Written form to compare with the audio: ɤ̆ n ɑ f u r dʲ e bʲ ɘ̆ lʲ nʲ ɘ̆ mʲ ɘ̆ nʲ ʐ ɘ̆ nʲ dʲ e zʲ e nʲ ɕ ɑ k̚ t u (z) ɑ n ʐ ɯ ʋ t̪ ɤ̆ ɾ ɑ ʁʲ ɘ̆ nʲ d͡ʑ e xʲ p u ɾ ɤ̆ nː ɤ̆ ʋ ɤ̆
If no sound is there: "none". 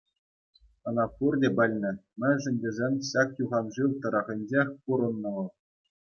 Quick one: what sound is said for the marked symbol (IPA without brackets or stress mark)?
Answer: ʁ